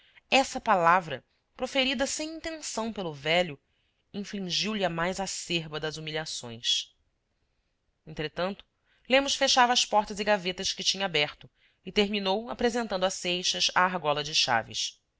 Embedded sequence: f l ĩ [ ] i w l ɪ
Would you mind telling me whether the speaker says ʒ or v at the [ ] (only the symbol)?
ʒ